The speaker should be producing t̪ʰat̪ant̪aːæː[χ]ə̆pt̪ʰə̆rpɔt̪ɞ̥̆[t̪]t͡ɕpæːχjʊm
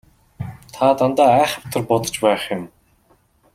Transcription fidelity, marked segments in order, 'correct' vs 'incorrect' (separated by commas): correct, incorrect